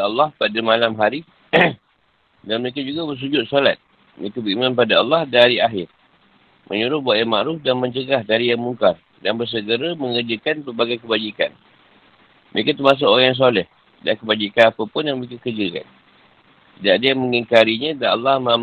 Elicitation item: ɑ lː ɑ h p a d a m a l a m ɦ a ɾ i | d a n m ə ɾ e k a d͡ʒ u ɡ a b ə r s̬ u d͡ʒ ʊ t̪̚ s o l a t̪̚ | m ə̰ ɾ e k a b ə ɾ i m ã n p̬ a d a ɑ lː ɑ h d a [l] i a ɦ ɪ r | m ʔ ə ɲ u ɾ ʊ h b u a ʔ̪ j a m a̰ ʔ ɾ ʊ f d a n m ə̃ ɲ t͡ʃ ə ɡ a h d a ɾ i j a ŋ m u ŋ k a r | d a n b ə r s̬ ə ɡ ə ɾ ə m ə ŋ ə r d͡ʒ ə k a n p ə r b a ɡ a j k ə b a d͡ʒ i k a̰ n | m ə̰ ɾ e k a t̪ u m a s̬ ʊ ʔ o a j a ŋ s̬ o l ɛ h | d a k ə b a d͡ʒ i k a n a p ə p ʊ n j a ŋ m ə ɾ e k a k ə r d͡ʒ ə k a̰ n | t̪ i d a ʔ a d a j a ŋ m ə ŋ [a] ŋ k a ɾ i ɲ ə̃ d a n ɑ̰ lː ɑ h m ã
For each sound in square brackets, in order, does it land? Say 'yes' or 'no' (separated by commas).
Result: no, no